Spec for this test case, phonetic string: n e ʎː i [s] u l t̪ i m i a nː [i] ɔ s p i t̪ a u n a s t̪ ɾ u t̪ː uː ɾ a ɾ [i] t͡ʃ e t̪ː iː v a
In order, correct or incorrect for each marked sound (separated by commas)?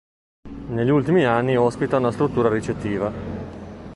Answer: incorrect, correct, correct